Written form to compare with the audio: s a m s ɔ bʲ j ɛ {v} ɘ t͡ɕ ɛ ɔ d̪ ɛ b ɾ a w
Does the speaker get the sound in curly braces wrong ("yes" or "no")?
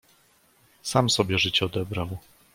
yes